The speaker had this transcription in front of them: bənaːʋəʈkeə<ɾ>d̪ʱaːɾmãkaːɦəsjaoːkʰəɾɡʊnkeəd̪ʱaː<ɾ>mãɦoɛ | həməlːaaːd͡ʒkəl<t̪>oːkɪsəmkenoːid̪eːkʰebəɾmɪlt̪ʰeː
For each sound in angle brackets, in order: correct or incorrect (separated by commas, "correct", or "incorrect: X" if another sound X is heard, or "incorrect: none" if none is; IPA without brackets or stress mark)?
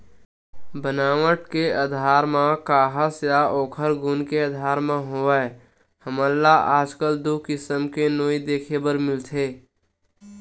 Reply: incorrect: none, correct, incorrect: d̪